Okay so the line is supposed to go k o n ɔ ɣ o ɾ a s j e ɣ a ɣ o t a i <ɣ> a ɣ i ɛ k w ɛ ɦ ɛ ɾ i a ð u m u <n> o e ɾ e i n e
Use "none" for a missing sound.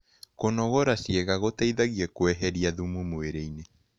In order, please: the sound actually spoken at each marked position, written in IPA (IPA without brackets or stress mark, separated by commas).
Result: ð, m